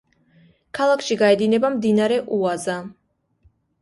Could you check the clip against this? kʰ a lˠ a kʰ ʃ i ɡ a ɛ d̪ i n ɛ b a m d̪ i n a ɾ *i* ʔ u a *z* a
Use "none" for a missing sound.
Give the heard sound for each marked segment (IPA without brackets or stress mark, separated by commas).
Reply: ɛ, z